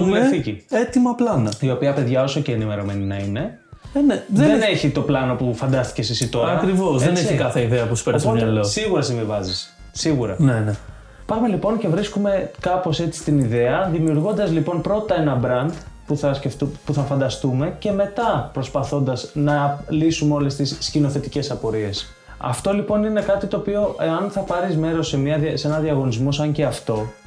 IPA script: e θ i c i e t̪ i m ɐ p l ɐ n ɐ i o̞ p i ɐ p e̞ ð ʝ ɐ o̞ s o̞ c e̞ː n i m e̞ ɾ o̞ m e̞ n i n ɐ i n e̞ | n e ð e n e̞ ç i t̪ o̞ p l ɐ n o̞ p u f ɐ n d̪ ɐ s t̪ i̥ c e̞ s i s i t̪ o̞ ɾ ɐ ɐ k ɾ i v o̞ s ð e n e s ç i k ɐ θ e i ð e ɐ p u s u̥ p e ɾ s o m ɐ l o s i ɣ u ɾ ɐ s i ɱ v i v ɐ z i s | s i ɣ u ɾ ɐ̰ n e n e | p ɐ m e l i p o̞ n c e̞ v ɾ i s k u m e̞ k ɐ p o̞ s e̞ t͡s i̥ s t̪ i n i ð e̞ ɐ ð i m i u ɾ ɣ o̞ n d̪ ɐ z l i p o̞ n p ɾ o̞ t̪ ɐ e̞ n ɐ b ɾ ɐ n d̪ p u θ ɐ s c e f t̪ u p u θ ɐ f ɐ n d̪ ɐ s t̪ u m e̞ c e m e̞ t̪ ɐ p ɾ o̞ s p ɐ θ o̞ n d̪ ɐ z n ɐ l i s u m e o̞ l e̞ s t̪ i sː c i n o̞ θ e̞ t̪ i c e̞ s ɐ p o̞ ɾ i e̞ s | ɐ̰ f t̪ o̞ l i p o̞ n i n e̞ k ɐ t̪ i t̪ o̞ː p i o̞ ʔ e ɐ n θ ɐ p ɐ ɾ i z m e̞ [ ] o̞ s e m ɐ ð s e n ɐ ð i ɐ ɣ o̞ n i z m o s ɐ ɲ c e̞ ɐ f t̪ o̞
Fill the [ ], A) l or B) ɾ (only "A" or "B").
B